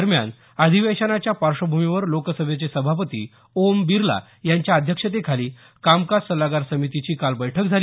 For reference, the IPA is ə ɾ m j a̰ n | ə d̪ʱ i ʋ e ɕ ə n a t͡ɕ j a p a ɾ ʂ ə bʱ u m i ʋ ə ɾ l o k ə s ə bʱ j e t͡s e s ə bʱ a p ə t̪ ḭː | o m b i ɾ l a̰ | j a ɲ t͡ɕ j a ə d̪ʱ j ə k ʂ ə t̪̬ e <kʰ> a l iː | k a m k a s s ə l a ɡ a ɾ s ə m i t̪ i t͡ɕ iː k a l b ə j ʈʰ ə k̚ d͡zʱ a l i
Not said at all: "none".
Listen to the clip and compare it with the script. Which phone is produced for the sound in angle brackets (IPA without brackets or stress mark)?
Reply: kʰ